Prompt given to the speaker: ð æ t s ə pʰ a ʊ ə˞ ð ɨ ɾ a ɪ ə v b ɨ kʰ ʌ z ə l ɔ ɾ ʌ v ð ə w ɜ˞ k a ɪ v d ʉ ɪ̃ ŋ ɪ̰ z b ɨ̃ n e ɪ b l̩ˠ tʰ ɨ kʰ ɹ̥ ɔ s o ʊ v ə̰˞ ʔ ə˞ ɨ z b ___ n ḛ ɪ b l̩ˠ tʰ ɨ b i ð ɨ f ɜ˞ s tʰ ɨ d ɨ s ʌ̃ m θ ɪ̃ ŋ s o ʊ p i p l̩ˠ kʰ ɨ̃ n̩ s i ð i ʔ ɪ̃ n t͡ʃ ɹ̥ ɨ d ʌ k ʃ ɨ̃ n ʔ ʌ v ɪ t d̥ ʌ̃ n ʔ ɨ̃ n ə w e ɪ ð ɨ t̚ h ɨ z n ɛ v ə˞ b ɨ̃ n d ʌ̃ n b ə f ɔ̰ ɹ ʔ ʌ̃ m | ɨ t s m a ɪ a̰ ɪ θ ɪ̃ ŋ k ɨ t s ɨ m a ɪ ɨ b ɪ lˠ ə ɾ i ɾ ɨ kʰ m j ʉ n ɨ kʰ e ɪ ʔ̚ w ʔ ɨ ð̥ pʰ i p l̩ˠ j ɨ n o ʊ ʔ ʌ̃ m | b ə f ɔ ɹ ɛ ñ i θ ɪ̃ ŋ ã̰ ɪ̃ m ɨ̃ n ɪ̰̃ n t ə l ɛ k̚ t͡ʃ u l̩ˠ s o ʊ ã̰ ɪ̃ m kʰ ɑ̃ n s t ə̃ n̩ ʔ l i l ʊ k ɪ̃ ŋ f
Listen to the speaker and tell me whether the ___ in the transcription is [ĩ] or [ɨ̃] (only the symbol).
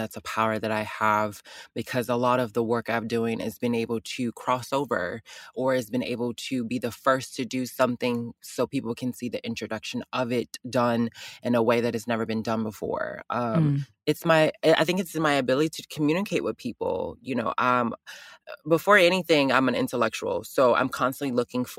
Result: ɨ̃